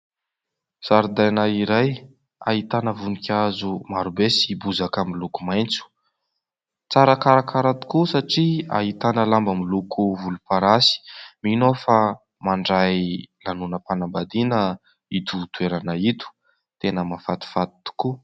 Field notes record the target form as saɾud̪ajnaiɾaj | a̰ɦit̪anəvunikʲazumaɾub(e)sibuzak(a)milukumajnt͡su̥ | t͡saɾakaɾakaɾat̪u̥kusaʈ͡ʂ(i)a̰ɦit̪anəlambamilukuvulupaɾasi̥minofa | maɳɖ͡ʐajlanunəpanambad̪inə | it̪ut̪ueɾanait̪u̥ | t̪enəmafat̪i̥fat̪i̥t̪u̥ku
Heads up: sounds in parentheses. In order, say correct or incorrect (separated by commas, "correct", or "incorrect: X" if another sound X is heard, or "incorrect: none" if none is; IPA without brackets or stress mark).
correct, correct, correct